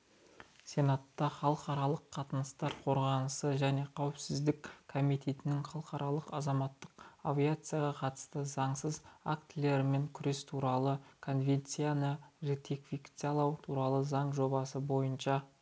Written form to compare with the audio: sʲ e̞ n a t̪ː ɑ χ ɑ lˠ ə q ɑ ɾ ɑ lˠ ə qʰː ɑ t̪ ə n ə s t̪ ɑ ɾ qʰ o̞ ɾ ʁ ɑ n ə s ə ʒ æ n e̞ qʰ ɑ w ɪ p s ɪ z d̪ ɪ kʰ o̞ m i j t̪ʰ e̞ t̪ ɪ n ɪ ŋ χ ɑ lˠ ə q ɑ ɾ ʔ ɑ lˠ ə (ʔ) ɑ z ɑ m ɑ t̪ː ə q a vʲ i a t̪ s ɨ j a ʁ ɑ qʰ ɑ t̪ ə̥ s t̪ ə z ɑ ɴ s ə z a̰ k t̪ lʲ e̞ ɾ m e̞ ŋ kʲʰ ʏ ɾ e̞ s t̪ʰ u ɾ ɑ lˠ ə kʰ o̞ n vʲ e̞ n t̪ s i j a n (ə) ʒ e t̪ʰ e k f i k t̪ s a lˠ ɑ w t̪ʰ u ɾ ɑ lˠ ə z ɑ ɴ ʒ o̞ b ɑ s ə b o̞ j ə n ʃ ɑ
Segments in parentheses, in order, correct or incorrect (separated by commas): incorrect, correct